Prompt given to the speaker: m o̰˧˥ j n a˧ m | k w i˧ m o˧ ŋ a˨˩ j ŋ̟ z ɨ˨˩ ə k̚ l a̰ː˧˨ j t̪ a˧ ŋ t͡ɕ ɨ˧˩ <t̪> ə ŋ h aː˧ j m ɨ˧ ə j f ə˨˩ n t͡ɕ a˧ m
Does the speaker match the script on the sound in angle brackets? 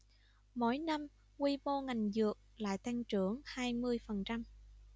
no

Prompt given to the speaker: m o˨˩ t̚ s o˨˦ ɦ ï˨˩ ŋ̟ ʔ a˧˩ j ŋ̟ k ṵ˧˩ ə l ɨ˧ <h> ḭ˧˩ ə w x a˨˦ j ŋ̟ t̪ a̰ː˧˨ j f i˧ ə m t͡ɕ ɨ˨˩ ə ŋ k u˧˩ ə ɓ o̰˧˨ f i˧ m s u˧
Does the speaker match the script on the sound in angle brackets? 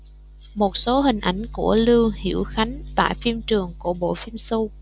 yes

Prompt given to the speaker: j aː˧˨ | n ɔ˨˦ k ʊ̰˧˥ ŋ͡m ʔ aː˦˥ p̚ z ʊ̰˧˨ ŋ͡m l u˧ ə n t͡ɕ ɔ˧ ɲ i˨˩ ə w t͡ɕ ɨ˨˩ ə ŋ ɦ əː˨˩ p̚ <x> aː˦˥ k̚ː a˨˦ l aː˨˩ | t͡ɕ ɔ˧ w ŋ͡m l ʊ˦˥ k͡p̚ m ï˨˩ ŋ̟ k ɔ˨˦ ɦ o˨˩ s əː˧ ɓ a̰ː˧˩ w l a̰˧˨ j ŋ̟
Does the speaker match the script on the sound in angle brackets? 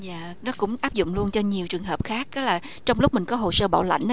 yes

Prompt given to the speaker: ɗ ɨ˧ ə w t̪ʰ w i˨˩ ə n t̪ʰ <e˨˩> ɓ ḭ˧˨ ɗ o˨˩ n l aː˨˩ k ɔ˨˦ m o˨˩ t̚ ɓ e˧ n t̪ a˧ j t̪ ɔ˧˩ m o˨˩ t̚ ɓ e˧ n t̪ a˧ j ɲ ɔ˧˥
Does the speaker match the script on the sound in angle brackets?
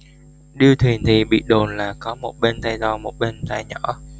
no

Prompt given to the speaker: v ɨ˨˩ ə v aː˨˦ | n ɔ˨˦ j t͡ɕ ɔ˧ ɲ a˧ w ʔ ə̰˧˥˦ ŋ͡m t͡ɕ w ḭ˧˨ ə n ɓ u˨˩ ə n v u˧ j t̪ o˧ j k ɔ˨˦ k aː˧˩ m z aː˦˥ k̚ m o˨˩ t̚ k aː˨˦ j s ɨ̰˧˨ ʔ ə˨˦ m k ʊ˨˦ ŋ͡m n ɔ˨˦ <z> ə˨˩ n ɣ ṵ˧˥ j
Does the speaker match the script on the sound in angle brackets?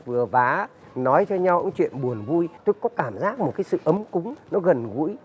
no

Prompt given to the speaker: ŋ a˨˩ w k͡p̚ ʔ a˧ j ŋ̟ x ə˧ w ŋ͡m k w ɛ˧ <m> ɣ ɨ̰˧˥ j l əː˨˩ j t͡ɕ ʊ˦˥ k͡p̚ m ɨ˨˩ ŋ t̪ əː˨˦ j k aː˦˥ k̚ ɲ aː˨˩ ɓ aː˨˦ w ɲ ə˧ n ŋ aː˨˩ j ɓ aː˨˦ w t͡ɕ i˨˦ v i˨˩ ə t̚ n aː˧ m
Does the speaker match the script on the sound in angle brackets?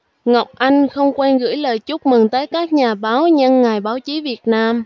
no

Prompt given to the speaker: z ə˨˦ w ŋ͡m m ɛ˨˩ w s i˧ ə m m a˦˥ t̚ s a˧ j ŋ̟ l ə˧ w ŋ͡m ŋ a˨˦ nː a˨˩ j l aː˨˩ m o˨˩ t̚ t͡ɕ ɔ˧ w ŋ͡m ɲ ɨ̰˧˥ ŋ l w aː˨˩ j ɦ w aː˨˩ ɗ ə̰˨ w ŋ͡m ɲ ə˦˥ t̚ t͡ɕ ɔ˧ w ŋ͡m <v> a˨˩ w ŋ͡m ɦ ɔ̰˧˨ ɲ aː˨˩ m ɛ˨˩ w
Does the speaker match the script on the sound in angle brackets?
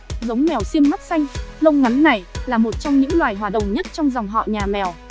no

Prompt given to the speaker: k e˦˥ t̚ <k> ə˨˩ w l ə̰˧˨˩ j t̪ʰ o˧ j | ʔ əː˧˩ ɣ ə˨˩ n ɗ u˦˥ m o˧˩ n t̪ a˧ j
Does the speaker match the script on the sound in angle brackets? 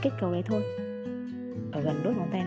yes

